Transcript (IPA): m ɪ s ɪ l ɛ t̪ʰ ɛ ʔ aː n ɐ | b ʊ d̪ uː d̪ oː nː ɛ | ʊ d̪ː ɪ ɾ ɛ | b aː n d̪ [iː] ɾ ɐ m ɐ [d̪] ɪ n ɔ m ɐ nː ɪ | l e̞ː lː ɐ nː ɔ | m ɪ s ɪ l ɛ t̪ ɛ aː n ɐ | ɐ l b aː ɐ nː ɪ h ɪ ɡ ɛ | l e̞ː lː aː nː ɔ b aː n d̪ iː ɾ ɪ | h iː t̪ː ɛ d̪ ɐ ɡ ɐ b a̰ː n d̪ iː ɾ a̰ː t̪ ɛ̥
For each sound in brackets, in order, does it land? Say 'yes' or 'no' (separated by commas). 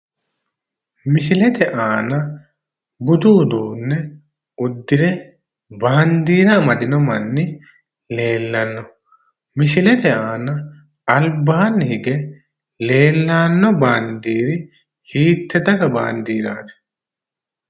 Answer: yes, yes